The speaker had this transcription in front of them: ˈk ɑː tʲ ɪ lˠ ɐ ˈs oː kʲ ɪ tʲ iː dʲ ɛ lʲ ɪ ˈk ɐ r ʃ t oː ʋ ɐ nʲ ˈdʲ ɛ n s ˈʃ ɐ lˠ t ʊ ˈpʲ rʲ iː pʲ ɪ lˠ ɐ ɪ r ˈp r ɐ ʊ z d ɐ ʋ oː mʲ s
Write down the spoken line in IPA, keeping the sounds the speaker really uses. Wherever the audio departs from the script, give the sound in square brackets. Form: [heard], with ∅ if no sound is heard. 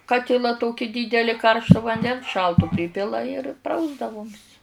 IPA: ˈk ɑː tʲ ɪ lˠ ɐ [ˈt] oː kʲ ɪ [dʲ] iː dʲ ɛ lʲ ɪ ˈk ɐ r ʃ t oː ʋ ɐ nʲ ˈdʲ ɛ n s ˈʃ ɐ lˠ t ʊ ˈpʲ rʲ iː pʲ ɪ lˠ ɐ ɪ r ˈp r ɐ ʊ z d ɐ ʋ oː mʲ s